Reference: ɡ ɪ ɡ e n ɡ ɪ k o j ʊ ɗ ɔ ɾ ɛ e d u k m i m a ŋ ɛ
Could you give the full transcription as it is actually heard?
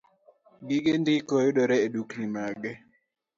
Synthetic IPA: ɡ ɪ ɡ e n d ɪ k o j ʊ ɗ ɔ ɾ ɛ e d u k n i m a ɡ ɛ